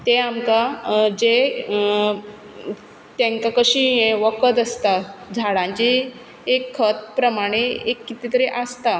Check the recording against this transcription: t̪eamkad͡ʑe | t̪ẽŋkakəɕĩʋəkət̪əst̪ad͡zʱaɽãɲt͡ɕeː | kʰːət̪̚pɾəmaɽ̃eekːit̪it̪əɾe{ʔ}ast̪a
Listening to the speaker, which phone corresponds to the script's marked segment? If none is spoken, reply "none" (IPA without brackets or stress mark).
ʔ